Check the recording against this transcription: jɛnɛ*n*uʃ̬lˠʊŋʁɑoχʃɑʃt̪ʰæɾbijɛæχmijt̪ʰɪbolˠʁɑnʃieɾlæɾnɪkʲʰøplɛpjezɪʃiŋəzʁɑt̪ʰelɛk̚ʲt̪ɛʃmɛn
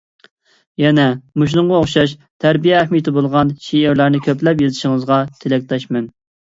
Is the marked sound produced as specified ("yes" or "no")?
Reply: no